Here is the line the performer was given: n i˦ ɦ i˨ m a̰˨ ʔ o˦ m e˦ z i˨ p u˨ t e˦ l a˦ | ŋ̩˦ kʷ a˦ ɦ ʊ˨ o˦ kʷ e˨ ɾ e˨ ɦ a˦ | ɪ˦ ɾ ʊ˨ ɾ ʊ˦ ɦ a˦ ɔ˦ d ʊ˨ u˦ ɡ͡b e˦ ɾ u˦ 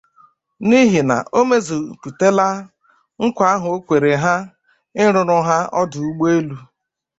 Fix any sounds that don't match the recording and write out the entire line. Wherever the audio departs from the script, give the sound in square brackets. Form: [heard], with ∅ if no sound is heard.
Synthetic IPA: n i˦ ɦ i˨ [n] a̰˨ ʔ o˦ m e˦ z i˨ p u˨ t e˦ l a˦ | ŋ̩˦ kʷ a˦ ɦ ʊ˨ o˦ kʷ e˨ ɾ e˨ ɦ a˦ | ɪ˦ ɾ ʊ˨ ɾ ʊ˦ ɦ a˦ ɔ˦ d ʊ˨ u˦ ɡ͡b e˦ [l] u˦